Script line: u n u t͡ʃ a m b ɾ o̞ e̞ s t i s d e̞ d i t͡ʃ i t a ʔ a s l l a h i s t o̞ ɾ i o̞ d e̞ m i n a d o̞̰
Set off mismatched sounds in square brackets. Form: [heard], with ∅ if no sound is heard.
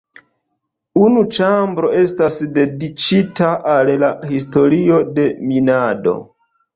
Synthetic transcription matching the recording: u n u t͡ʃ a m b ɾ o̞ e̞ s t [a] s d e̞ d i t͡ʃ i t a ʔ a [∅] l l a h i s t o̞ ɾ i o̞ d e̞ m i n a d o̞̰